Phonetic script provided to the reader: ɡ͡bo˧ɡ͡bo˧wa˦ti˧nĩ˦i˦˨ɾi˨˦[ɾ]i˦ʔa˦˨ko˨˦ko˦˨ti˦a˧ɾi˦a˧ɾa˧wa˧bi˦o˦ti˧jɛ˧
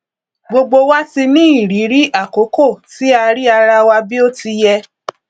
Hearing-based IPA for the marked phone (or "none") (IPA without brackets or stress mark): ɾ